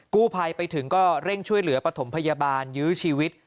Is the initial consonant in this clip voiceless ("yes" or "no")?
yes